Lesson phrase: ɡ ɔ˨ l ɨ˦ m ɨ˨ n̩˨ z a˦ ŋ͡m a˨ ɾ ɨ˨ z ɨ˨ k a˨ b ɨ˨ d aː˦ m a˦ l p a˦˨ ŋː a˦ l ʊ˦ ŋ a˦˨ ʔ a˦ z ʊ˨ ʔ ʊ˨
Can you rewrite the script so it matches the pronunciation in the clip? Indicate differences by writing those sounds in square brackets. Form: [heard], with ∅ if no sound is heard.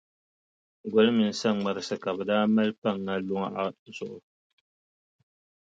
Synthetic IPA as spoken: ɡ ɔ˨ l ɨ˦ m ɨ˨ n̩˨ [s] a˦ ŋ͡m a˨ ɾ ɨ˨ [s] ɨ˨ k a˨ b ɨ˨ d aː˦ m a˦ l p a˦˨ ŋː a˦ l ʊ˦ ŋ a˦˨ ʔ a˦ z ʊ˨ ʔ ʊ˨